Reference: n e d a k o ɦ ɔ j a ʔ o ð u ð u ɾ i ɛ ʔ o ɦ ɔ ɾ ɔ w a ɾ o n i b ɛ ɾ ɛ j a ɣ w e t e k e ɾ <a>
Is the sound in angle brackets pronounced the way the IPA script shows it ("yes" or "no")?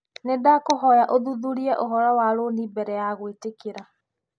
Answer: yes